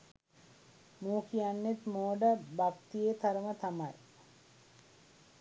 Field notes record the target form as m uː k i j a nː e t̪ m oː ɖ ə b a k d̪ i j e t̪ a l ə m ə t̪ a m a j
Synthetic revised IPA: m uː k i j a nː e t̪ m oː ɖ ə b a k t̪ i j e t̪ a ɾ ə m ə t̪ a m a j